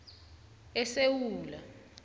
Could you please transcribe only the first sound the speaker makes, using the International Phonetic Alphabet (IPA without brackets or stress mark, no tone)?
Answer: ɛ